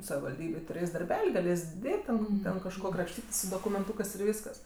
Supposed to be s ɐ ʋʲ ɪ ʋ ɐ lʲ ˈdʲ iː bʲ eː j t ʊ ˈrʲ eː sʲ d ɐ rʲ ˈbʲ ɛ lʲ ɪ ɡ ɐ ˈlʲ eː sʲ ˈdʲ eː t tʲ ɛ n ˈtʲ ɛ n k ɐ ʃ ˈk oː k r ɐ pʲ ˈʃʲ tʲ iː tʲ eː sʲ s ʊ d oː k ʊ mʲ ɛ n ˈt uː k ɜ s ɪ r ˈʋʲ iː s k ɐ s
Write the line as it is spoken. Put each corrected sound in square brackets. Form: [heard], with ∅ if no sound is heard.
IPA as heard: s ɐ ʋʲ ɪ ʋ ɐ lʲ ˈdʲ iː bʲ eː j t ʊ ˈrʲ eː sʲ d ɐ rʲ ˈbʲ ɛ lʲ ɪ ɡ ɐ ˈlʲ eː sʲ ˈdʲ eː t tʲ ɛ n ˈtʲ ɛ n k ɐ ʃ ˈk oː k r ɐ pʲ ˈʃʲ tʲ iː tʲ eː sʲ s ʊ d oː k ʊ mʲ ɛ n ˈt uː k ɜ s ɪ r ˈʋʲ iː s k ɐ s